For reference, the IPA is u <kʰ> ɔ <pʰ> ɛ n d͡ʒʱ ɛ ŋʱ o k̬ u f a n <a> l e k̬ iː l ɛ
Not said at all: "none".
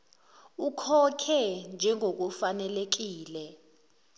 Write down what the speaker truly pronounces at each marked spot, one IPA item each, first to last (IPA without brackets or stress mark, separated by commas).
kʰ, kʰ, ɛ